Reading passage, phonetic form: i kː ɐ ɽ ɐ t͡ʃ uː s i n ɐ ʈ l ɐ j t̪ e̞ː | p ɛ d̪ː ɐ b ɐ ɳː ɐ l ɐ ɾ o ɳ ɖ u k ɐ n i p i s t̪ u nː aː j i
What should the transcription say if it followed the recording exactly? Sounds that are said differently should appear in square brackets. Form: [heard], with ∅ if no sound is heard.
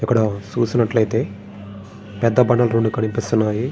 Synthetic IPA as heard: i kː ɐ ɽ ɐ t͡ʃ uː s i n ɐ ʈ l ɐ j t̪ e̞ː | p ɛ d̪ː ɐ b ɐ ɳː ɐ l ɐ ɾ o ɳ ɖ u k ɐ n i p i s t̪ u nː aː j i